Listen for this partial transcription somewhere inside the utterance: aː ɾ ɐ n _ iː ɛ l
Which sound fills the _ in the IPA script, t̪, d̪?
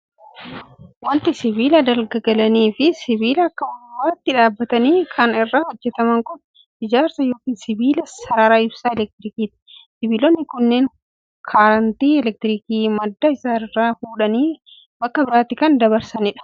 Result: t̪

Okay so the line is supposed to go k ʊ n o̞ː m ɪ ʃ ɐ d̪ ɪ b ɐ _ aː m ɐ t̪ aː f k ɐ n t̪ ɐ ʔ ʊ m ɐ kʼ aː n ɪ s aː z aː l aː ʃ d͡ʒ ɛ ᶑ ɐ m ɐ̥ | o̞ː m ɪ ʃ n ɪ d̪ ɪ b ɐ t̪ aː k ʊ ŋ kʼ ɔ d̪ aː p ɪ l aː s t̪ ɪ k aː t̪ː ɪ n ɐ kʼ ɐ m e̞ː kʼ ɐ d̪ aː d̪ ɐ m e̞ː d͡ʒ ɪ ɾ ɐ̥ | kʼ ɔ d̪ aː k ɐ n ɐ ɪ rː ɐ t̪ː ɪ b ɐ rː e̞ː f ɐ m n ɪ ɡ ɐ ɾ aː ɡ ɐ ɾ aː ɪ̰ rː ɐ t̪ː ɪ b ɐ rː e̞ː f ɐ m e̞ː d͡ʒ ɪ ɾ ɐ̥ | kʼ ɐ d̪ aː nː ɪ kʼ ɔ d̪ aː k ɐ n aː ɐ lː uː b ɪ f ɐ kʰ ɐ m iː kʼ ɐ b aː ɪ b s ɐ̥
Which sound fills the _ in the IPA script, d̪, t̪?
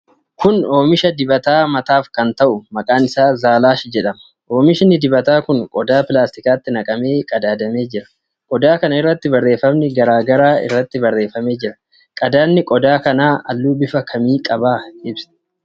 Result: t̪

